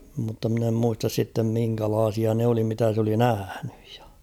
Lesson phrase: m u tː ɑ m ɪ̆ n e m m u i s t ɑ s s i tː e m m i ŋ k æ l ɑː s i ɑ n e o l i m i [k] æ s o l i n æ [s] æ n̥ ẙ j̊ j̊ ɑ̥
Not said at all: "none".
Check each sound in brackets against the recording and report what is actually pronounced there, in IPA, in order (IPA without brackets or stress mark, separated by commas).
t, h